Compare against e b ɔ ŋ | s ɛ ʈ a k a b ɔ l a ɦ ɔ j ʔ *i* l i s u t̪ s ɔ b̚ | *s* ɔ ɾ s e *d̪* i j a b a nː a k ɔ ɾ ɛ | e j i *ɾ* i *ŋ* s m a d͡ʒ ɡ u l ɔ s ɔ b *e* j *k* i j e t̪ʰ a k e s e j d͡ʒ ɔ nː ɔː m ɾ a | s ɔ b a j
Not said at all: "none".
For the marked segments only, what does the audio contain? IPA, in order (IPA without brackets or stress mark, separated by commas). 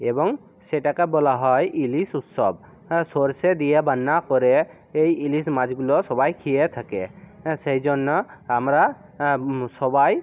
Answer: i, s, d̪, l, none, a, kʰ